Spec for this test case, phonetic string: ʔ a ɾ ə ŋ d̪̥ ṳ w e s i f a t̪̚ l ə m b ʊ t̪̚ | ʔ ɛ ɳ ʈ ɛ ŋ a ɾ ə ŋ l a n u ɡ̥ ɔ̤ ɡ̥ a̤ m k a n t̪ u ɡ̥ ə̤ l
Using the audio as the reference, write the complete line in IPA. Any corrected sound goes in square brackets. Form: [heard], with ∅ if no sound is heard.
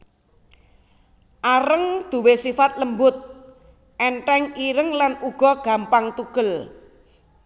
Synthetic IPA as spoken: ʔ a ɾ ə ŋ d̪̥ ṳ w e s i f a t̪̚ l ə m b ʊ t̪̚ | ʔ ɛ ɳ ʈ ɛ ŋ [i] ɾ ə ŋ l a n u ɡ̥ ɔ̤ ɡ̥ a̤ m [p] a [ŋ] t̪ u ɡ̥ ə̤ l